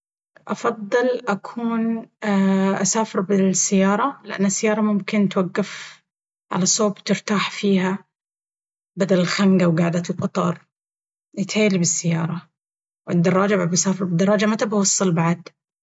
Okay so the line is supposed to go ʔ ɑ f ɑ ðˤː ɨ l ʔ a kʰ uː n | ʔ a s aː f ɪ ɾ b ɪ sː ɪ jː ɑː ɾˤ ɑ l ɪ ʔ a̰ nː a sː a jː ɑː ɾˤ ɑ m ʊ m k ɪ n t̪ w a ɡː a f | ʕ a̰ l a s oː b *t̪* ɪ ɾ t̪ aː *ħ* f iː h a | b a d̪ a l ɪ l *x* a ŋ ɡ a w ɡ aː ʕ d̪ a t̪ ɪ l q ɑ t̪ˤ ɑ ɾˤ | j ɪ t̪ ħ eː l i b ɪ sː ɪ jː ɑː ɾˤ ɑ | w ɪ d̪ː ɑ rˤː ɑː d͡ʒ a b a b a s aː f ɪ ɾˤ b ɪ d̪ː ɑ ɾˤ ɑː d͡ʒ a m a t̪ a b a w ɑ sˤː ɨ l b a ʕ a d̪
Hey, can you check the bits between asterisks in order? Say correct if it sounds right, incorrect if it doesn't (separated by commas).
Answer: correct, correct, correct